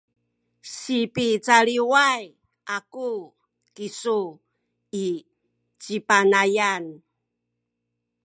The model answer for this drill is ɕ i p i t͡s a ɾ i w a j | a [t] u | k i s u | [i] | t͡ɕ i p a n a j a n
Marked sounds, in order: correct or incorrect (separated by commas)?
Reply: incorrect, correct